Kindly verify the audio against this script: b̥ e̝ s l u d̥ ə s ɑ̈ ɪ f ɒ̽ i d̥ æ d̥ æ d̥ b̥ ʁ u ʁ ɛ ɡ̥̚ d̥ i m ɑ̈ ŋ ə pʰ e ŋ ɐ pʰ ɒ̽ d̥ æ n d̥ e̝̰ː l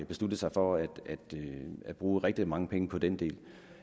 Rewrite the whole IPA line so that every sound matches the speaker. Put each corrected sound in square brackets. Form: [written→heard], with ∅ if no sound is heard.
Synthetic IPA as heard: b̥ e̝ s l u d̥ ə s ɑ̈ ɪ f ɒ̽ [i→æ] d̥ æ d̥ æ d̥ b̥ ʁ [u→uː] ʁ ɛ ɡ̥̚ d̥ i m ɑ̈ ŋ ə pʰ e ŋ [ɐ→ə] pʰ ɒ̽ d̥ [æ→e] n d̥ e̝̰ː l